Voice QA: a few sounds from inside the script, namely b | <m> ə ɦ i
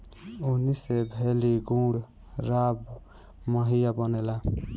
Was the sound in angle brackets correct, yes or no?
yes